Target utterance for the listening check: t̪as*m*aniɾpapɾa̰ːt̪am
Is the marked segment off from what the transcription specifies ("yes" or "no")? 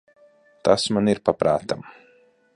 no